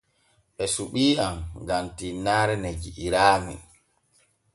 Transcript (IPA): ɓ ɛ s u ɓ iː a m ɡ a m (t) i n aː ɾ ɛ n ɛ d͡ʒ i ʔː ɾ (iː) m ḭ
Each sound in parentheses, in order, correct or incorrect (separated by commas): correct, incorrect